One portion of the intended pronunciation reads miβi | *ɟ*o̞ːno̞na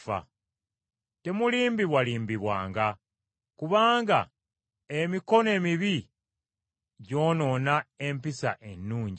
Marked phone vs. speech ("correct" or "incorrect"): correct